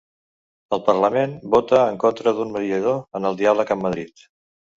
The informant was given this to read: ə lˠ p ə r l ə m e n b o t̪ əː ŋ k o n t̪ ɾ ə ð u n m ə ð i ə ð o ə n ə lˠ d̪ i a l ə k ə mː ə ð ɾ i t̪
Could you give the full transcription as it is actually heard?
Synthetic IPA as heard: ə lˠ p ə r l ə m e n b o t̪ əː ŋ k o n t̪ ɾ ə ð u n m ə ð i ə ð o ə n ə lˠ d̪ i a l ə k ə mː ə ð ɾ i t̪